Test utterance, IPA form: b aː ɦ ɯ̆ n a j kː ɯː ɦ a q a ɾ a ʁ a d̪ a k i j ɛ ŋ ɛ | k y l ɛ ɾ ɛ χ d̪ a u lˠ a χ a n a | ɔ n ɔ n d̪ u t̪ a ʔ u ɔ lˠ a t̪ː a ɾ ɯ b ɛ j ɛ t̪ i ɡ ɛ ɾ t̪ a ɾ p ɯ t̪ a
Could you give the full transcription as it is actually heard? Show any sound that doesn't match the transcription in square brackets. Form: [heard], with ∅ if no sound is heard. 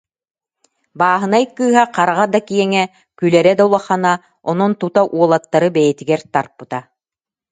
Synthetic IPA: b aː ɦ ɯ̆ n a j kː ɯː ɦ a q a ɾ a ʁ a d̪ a k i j ɛ ŋ ɛ | k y l ɛ ɾ ɛ [∅] d̪ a u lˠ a χ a n a | ɔ n ɔ n [t̪] u t̪ a ʔ u ɔ lˠ a t̪ː a ɾ ɯ b ɛ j ɛ t̪ i ɡ ɛ ɾ t̪ a ɾ p ɯ t̪ a